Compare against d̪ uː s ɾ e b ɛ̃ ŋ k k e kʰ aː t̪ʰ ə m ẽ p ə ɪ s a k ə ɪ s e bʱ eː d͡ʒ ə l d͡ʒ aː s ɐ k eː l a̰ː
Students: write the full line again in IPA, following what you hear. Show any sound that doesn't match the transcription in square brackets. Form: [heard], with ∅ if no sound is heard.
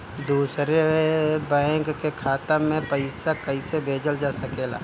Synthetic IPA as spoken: d̪ uː s ɾ e b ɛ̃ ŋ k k e kʰ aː [t̪] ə m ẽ p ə ɪ s a k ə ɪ s e bʱ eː d͡ʒ ə l d͡ʒ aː s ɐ k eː l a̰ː